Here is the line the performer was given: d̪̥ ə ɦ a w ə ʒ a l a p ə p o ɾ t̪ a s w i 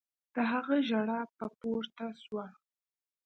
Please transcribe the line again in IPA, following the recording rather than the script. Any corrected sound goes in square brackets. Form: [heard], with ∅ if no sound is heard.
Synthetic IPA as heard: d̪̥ ə ɦ a [ɣ] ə ʒ a [ɽ] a p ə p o ɾ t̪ a s w [a]